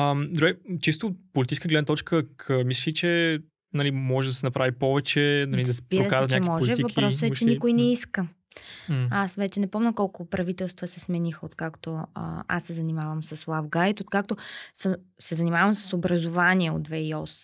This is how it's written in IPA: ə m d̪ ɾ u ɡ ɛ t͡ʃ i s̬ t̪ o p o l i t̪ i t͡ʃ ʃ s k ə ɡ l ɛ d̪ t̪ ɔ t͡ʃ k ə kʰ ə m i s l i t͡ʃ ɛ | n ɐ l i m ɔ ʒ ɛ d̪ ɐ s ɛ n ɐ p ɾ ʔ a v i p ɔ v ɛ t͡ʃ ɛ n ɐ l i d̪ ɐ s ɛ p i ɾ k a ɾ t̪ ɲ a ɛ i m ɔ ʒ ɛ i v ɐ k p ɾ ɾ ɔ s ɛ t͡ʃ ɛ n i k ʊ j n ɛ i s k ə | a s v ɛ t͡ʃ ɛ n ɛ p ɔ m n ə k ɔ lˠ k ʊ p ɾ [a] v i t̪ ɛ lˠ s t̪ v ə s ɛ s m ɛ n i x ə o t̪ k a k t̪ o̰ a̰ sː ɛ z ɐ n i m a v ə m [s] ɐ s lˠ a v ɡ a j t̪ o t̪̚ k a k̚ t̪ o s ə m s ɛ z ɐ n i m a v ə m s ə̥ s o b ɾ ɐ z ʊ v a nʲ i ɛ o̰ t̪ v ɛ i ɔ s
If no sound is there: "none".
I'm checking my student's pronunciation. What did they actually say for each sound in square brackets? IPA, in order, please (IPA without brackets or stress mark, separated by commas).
ɐ, s